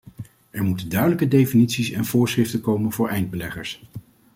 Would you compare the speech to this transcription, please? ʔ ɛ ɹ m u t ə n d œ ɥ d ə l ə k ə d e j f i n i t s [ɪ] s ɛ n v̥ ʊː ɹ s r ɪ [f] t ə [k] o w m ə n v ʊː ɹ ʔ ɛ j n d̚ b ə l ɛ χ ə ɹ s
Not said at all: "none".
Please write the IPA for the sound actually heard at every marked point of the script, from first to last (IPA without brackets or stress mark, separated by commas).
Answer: i, f, k